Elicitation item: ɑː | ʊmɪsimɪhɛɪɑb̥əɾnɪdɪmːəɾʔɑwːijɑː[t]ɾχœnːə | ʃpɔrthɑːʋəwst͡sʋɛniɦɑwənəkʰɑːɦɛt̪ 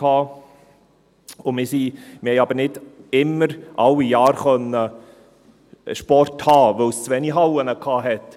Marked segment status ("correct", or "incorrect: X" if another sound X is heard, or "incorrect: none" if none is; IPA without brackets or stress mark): incorrect: none